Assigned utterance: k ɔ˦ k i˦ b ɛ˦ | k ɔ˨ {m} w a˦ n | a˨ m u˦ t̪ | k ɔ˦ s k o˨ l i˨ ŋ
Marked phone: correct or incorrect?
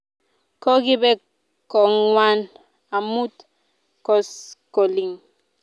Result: incorrect